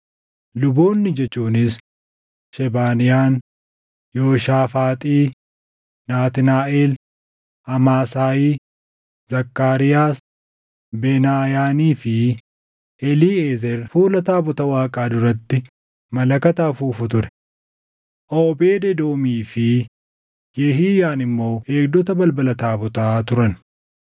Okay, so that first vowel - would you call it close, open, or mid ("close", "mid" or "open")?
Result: close